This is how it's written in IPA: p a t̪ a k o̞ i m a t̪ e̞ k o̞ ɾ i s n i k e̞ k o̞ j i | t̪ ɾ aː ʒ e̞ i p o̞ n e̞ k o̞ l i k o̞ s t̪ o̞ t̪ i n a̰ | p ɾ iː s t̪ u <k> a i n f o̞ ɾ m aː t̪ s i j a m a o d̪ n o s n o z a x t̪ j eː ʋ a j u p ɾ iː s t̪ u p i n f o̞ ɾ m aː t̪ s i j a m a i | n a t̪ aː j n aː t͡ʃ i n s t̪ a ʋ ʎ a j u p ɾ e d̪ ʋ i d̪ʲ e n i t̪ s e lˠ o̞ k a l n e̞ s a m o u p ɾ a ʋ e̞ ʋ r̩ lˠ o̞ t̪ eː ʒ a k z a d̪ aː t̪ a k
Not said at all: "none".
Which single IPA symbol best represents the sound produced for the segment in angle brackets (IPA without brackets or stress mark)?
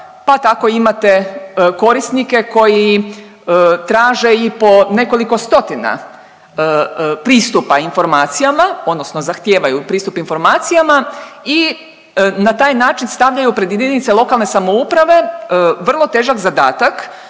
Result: p